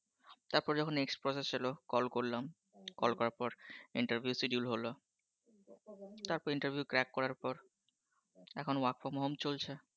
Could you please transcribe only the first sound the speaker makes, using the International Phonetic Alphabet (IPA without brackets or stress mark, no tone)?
t̪